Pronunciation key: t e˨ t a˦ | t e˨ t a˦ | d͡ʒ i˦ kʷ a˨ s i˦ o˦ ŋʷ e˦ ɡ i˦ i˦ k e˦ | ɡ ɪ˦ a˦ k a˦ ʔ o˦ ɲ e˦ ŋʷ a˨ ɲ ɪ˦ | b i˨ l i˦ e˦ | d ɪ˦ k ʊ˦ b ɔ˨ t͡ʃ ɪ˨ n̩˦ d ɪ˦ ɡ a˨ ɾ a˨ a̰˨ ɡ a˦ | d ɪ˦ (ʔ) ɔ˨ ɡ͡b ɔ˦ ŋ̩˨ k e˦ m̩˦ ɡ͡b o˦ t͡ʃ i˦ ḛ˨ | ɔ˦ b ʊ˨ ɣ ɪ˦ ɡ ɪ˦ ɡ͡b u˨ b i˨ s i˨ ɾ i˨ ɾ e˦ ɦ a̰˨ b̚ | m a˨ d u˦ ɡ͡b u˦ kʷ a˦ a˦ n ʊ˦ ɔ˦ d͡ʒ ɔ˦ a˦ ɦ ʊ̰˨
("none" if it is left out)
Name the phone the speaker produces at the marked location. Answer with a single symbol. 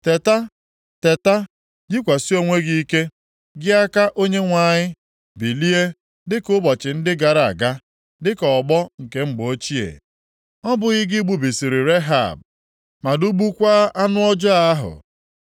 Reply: k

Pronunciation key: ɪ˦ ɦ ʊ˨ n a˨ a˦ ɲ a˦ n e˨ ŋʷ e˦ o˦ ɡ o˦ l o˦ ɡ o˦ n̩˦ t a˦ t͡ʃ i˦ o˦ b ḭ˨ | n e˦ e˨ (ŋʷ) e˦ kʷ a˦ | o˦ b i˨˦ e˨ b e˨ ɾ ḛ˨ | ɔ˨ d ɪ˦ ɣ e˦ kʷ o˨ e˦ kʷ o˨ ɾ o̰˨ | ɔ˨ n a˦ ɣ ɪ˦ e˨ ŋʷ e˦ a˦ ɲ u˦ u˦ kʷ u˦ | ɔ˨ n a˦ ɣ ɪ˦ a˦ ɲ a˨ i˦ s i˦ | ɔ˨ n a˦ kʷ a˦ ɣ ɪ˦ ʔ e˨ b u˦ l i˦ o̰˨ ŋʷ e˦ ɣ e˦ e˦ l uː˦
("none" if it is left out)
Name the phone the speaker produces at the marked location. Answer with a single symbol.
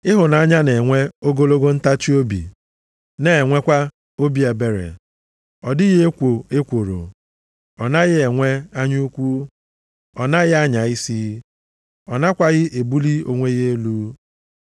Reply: ŋʷ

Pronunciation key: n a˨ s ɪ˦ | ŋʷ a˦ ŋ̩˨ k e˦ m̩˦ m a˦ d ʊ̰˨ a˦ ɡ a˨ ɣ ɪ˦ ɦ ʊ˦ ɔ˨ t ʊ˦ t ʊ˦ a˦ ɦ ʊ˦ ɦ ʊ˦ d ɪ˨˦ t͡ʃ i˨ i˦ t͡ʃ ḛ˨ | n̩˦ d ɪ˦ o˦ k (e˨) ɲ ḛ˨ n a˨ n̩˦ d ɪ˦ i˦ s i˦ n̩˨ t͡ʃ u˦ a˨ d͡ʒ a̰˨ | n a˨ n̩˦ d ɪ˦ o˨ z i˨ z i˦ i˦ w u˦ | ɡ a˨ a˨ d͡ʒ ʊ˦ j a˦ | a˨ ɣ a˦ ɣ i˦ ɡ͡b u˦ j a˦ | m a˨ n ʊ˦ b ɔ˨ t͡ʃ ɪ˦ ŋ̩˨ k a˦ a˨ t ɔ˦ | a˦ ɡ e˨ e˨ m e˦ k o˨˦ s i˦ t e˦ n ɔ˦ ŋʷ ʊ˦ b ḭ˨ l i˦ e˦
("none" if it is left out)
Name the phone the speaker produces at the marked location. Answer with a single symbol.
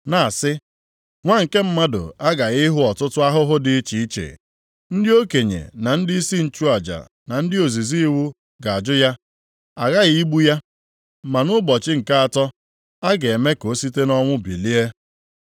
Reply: e˨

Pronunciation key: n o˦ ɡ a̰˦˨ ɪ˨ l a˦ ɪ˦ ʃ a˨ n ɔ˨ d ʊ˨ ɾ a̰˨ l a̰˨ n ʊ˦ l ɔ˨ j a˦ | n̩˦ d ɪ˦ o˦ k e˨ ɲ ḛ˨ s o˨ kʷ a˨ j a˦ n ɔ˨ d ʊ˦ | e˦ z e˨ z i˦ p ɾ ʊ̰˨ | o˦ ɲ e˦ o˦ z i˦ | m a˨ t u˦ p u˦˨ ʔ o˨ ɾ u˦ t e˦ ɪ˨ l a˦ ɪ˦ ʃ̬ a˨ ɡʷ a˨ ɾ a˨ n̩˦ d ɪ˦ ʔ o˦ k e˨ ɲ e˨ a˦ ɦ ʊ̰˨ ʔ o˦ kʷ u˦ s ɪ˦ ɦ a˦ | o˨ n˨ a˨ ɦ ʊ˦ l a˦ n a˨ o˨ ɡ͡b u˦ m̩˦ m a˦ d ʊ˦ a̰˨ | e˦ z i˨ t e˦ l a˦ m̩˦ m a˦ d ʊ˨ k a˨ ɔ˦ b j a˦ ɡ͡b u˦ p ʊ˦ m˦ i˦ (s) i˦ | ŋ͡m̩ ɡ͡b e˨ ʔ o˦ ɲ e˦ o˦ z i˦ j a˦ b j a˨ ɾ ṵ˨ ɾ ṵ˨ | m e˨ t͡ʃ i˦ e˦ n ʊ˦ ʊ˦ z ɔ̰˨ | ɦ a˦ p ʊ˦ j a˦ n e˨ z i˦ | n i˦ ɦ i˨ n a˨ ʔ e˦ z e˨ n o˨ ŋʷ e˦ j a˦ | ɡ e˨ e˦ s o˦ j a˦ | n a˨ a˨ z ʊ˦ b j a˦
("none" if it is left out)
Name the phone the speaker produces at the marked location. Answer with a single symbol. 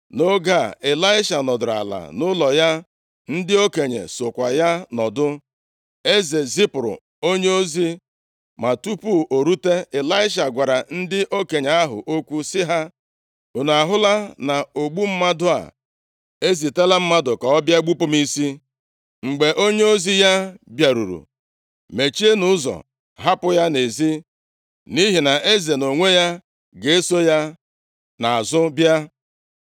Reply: s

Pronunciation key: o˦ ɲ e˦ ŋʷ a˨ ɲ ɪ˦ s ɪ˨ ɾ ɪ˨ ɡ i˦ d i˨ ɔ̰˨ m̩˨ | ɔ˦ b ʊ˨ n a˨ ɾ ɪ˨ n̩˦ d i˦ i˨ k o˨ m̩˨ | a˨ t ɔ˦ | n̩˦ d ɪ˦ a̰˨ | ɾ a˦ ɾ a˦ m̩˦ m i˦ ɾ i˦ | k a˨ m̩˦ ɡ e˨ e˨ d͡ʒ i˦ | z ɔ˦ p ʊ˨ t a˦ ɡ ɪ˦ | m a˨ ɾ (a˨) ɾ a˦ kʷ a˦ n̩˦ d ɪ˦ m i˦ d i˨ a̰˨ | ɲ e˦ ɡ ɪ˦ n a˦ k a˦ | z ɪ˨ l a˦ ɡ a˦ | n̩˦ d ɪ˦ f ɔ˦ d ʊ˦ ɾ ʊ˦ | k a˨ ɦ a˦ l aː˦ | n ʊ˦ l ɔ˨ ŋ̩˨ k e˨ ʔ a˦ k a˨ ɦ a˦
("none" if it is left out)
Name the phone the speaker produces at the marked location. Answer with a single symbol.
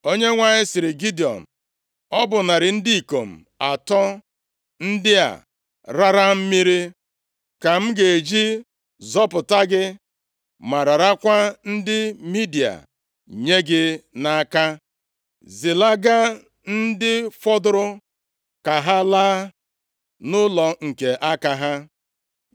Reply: a˨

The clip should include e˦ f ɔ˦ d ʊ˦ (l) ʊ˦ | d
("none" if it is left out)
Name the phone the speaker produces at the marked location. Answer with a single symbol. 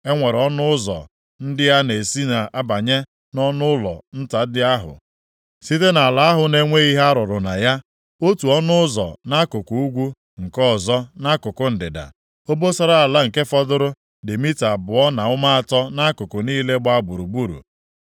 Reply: ɾ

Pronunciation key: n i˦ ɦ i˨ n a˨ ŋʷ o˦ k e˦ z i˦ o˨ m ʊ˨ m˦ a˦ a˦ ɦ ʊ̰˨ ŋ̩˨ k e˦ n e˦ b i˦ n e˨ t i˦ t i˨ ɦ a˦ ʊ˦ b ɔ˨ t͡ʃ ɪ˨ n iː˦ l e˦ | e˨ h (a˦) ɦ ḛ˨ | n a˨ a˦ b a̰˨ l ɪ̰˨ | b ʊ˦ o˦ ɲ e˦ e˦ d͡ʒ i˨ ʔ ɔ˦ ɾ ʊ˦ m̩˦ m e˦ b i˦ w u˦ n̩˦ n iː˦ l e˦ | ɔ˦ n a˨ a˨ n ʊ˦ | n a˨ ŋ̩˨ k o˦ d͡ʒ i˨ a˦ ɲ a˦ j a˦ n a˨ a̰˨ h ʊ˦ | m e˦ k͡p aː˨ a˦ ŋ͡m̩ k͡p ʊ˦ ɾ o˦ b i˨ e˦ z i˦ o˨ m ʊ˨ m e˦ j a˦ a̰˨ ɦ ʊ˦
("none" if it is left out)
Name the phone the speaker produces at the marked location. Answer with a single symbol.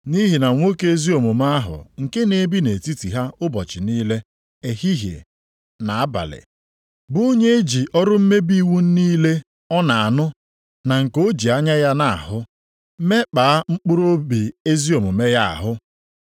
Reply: i˦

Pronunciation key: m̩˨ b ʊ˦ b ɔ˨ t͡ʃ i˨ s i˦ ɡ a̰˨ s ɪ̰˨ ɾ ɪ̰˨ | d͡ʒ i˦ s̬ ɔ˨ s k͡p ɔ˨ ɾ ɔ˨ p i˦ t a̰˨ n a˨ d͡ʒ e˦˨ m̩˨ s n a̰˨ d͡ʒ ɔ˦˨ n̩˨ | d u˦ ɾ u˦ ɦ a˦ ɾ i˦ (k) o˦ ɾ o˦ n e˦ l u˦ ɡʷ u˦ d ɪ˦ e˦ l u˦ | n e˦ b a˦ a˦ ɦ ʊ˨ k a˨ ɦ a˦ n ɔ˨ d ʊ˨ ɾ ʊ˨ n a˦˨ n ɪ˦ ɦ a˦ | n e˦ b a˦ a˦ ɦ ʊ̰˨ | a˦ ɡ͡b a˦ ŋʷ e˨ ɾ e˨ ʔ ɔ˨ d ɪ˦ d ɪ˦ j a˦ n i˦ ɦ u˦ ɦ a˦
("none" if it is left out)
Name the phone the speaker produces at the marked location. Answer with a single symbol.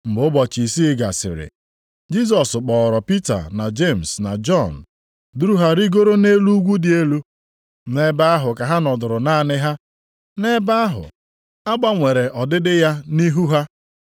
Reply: ɡ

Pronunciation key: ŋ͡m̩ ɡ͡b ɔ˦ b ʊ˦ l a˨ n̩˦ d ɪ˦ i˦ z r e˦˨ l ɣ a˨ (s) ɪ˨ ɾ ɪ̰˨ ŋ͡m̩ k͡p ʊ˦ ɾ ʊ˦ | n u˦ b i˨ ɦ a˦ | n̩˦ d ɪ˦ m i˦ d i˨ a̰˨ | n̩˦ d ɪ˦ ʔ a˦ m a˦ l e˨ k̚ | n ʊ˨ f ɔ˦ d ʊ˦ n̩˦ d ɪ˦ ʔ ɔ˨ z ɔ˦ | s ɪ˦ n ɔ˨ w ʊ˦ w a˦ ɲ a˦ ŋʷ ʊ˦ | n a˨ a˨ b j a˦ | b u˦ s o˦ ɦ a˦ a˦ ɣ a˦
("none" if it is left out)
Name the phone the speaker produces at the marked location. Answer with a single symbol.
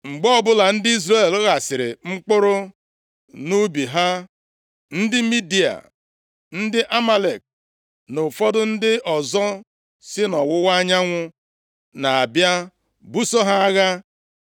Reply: s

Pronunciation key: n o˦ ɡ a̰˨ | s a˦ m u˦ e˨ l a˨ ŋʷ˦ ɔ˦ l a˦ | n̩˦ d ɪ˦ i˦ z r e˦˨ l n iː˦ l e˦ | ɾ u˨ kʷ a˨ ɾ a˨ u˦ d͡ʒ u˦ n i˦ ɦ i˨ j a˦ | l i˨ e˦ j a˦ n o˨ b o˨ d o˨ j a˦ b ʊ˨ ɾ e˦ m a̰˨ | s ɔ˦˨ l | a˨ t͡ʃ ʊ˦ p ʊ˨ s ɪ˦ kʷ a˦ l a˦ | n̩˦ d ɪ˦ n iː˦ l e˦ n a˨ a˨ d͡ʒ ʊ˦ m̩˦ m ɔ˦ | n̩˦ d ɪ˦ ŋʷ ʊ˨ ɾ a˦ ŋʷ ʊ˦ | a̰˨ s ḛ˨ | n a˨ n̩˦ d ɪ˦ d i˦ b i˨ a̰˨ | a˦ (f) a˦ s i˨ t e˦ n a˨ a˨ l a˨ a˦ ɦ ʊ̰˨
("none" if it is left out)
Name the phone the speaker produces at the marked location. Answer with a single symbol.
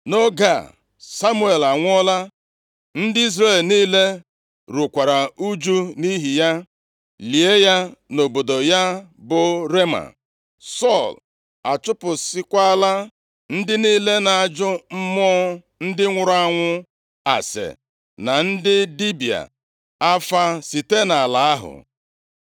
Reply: f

